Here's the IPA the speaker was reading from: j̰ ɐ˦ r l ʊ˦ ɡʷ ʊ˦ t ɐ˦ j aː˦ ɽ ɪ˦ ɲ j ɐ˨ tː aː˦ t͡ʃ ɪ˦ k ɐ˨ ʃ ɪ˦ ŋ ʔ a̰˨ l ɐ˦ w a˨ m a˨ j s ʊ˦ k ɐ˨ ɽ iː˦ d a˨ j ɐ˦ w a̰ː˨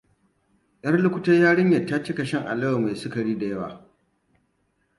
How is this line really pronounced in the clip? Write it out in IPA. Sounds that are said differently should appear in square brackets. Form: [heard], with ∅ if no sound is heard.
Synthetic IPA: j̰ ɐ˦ r l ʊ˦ [kʷ] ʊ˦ t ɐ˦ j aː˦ ɽ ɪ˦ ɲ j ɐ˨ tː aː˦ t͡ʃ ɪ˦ k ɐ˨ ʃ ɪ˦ ŋ ʔ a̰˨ l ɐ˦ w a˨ m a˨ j s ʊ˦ k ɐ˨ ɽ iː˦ d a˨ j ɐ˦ w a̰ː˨

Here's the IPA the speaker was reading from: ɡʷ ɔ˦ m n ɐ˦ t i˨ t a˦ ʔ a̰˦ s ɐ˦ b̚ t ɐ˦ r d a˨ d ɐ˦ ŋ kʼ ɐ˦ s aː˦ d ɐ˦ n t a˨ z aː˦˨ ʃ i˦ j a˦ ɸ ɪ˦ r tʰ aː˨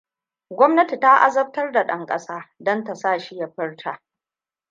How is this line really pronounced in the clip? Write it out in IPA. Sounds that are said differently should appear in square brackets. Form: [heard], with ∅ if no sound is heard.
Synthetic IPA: ɡʷ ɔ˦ m n ɐ˦ t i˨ t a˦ ʔ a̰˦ [z] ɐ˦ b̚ t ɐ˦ r d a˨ [ɗ] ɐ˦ ŋ kʼ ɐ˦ s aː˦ d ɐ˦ n t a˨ [s] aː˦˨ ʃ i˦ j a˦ ɸ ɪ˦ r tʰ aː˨

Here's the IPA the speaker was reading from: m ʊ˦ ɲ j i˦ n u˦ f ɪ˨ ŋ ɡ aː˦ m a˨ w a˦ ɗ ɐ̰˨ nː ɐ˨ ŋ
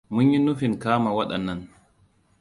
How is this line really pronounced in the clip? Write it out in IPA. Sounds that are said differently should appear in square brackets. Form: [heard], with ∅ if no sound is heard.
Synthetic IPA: m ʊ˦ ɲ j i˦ n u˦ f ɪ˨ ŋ [k] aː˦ m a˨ w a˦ ɗ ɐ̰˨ nː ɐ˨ [n]

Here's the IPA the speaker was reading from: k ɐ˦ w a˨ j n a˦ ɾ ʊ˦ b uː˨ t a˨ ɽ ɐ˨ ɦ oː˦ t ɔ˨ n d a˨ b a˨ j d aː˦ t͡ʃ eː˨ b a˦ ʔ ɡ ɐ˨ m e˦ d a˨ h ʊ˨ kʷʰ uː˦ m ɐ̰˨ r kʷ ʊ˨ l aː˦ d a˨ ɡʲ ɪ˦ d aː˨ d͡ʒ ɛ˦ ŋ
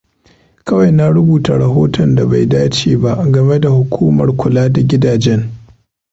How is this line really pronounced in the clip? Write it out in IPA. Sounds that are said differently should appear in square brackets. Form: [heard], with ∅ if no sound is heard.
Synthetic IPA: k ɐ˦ w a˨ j n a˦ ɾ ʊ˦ b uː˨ t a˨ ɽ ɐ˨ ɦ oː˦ t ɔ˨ n d a˨ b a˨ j d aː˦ t͡ʃ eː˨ b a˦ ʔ ɡ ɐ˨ m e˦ d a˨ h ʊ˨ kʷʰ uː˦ m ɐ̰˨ r kʷ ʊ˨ l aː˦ d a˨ ɡʲ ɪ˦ d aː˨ d͡ʒ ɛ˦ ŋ

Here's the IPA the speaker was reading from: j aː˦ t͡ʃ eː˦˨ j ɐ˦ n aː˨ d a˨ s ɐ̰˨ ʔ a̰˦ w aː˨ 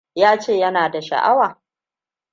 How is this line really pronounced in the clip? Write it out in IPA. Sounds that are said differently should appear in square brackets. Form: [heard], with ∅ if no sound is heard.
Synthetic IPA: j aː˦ t͡ʃ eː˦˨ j ɐ˦ n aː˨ d a˨ [ʃ] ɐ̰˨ ʔ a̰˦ w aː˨

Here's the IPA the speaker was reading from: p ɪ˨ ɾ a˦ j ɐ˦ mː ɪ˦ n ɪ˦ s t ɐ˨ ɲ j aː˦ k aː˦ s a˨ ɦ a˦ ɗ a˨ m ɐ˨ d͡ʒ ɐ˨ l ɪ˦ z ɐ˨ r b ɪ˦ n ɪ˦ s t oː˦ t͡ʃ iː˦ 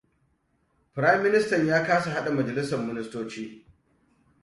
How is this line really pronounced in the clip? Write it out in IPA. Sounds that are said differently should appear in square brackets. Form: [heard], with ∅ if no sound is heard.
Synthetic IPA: p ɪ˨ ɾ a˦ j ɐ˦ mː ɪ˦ n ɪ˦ s t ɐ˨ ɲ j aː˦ k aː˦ s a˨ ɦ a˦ ɗ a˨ m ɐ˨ d͡ʒ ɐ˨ l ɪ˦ [s] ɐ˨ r [m] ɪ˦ n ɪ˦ s t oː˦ t͡ʃ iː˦

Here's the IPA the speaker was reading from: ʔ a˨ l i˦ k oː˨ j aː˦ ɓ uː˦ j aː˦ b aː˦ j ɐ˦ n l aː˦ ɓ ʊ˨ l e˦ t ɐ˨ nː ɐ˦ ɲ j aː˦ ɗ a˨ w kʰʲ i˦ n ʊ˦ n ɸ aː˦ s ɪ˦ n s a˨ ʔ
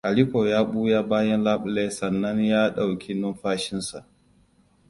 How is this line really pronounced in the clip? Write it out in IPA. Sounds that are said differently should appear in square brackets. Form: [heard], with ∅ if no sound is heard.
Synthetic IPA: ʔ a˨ l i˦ k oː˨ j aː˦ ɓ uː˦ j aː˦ b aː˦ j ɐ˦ n l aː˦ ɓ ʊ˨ l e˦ [s] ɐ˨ nː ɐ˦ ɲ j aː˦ ɗ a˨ w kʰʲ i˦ n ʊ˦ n ɸ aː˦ [ʃ] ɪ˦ n s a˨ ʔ

